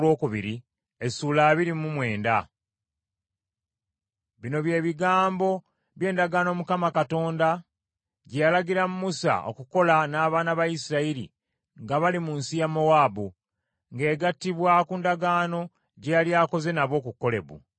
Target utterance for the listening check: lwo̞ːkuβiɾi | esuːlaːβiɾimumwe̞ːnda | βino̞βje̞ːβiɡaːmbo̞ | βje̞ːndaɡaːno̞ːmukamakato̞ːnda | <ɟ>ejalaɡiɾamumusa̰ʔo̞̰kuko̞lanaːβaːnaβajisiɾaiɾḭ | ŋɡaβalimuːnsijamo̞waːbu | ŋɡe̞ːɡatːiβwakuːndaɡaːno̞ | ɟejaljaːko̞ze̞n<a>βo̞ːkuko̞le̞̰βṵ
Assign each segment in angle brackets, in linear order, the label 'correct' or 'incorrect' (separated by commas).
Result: correct, correct